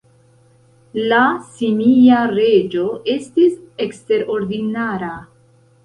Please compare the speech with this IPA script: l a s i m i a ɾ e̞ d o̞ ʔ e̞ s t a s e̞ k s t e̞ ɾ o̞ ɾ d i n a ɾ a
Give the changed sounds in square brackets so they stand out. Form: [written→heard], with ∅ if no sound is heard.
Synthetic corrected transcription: l a s i m i a ɾ e̞ [d→d͡ʒ] o̞ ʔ e̞ s t [a→i] s e̞ k s t e̞ ɾ o̞ ɾ d i n a ɾ a